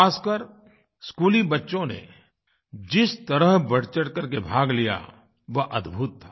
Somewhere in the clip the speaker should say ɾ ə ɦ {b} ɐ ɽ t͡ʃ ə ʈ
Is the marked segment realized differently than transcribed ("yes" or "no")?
no